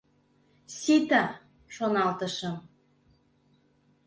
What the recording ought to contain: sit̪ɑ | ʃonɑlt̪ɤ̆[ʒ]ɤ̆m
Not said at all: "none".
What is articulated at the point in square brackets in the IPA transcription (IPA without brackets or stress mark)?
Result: ʃ